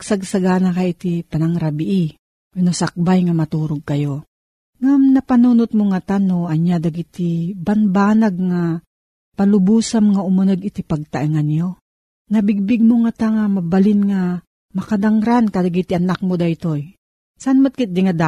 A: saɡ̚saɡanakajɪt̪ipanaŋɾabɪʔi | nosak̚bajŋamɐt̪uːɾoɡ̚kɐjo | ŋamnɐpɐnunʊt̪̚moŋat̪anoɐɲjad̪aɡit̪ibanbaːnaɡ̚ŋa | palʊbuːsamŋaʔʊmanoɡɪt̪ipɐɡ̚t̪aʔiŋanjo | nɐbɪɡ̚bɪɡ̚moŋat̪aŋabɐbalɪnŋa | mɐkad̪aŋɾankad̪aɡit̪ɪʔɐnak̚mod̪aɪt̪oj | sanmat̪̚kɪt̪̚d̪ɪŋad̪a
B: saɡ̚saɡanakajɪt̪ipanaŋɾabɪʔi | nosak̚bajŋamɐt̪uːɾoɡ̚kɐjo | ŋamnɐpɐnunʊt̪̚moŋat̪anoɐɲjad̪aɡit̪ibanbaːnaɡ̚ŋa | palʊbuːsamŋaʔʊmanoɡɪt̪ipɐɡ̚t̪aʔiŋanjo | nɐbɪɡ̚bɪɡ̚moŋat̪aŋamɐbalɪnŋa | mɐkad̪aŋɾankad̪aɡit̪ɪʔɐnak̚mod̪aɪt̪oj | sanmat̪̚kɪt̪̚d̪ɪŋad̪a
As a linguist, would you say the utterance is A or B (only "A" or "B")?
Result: B